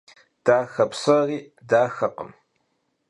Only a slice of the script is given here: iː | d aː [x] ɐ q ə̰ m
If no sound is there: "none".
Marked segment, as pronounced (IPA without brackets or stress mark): x